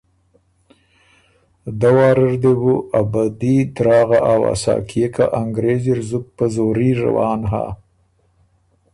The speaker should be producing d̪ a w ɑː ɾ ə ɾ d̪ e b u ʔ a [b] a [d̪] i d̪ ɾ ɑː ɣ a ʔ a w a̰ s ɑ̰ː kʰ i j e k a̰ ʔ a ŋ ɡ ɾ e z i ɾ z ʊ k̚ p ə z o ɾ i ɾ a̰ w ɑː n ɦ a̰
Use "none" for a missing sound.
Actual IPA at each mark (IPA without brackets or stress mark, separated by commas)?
b, d̪